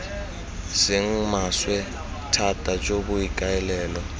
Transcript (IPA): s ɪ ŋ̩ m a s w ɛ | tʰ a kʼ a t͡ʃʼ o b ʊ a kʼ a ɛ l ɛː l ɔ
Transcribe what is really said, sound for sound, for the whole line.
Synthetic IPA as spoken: s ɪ ŋ̩ m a s w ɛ | tʰ a tʼ a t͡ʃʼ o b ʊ i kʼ a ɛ l ɛː l ɔ